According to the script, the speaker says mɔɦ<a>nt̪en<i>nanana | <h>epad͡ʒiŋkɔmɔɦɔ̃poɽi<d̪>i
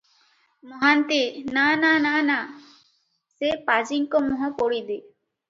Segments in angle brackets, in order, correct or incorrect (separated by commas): correct, incorrect, incorrect, correct